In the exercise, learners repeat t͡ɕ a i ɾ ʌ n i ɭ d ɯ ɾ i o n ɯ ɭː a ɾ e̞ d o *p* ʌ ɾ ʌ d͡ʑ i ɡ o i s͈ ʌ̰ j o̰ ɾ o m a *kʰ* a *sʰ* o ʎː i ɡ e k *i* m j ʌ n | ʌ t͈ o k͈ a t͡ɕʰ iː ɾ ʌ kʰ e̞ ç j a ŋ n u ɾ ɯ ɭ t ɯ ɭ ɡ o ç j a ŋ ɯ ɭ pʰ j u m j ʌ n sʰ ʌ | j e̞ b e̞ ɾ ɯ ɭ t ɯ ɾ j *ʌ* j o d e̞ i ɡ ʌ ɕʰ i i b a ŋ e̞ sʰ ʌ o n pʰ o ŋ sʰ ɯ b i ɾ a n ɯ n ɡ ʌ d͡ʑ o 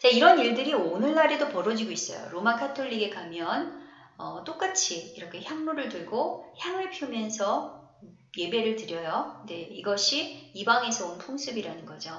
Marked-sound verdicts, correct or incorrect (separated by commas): correct, correct, incorrect, incorrect, correct